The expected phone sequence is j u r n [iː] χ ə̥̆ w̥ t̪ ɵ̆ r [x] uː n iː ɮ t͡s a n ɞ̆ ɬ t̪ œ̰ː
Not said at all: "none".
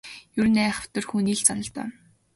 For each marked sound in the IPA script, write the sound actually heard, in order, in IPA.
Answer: æː, x

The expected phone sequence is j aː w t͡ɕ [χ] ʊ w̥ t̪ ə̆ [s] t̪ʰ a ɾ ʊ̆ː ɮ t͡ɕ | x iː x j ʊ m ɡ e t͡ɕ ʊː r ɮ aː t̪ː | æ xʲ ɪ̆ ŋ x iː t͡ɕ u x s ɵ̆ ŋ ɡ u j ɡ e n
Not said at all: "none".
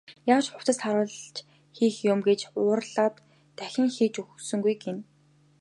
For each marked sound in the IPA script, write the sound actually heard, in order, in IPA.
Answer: χ, s

